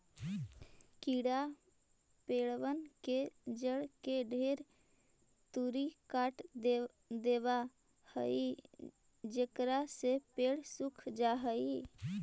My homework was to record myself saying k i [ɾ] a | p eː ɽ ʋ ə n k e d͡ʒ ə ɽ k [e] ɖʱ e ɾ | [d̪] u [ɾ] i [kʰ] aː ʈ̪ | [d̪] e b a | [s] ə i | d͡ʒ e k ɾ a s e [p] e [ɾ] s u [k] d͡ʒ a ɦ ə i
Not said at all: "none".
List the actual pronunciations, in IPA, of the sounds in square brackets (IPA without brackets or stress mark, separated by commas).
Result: ɽ, e, t̪, ɾ, k, d̪, h, p, ɽ, kʰ